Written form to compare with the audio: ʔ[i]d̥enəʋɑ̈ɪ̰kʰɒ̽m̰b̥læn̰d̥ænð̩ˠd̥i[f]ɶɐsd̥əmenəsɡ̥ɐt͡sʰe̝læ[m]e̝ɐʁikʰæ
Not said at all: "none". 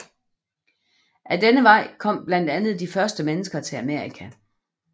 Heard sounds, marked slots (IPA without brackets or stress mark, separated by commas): æ, f, m